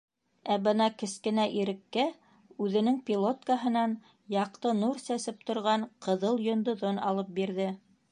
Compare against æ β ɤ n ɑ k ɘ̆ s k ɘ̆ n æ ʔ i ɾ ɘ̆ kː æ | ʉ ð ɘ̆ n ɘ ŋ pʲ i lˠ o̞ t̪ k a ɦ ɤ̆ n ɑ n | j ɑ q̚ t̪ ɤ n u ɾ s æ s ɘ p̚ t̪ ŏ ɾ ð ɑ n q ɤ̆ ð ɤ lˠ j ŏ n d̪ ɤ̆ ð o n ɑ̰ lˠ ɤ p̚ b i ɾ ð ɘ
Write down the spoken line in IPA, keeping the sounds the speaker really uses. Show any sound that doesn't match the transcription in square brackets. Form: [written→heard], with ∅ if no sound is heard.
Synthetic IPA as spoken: æ [β→b] ɤ n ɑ k ɘ̆ s k ɘ̆ n æ ʔ i ɾ ɘ̆ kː æ | ʉ ð ɘ̆ n ɘ ŋ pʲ i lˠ o̞ t̪ k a ɦ ɤ̆ n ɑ n | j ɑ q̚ t̪ ɤ n u ɾ s æ s ɘ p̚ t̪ ŏ ɾ [ð→ʁ] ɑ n q ɤ̆ ð ɤ lˠ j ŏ n d̪ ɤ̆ ð o n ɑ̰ lˠ ɤ p̚ b i ɾ ð ɘ

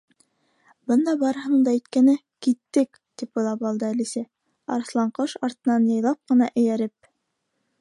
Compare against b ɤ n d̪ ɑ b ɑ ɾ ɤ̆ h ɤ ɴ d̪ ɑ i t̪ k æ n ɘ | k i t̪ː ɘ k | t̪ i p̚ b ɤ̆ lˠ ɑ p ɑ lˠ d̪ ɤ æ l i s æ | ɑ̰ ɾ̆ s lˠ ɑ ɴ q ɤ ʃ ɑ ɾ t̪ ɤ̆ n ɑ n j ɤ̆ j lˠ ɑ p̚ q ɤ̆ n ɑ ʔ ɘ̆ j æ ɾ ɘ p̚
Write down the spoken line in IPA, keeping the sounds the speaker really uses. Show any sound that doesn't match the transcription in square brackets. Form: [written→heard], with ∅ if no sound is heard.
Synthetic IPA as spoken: b ɤ n d̪ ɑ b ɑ ɾ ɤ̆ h ɤ ɴ d̪ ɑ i t̪ k æ n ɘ | k i t̪ː ɘ k | t̪ i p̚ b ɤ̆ lˠ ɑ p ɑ lˠ d̪ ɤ æ l i s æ | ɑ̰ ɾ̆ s lˠ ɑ ɴ q ɤ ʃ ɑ ɾ t̪ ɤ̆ n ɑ n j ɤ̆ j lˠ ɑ p̚ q ɤ̆ n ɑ ʔ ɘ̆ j æ ɾ ɘ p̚

